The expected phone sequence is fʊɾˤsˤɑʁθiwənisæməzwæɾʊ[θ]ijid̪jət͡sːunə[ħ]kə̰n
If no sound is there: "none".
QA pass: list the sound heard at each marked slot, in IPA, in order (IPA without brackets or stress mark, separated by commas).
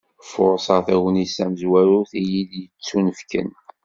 θ, f